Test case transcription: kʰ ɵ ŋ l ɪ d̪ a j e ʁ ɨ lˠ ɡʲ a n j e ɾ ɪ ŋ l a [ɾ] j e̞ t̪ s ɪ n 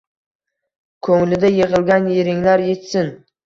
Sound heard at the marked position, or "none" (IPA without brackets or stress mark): ɾ